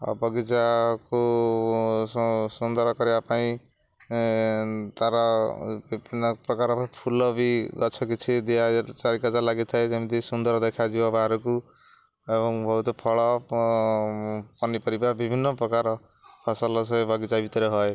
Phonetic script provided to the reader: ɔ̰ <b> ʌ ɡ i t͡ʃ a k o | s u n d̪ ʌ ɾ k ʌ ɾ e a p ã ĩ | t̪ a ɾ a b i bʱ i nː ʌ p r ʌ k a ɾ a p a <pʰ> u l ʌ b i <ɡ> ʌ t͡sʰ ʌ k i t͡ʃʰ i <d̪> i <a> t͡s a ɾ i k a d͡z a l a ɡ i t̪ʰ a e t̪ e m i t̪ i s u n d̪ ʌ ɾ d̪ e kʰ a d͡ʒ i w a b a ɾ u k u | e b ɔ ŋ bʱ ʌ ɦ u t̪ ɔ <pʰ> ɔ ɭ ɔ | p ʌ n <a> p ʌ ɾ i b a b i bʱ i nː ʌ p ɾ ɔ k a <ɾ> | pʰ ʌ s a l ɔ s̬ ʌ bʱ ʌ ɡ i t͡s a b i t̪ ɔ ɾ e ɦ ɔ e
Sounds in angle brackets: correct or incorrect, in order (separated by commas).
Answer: correct, correct, correct, correct, correct, correct, incorrect, correct